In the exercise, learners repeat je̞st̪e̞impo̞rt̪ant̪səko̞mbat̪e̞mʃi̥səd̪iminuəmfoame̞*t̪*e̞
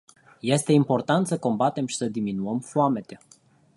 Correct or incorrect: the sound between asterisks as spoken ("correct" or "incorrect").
correct